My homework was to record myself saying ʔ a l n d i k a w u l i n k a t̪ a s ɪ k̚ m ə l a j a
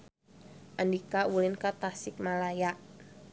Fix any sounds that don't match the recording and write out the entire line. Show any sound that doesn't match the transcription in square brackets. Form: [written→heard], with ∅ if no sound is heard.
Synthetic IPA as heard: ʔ a [l→∅] n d i k a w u l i n k a t̪ a s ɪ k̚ m [ə→a] l a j a